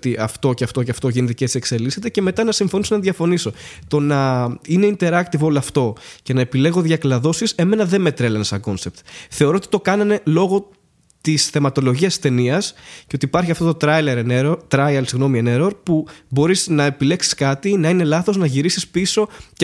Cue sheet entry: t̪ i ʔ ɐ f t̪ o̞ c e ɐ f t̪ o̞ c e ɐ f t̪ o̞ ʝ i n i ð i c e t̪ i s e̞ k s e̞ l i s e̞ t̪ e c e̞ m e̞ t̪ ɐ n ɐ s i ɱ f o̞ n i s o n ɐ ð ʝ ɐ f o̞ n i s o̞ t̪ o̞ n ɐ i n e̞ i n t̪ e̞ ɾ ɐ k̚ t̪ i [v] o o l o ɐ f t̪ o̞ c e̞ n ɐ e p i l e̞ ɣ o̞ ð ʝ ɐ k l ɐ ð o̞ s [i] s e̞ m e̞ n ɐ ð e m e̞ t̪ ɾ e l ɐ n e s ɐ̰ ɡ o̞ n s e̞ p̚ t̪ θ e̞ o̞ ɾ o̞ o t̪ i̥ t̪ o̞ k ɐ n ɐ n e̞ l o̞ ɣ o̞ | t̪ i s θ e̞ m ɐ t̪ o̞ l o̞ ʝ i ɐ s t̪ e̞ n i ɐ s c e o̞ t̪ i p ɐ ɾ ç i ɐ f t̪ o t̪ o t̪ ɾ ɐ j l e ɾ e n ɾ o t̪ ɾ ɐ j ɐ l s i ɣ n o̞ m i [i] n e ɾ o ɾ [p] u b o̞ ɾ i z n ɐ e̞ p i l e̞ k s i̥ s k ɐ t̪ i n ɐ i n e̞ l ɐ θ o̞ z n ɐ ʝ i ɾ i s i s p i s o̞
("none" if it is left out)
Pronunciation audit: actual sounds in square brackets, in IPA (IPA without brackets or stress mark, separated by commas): v, i, e, p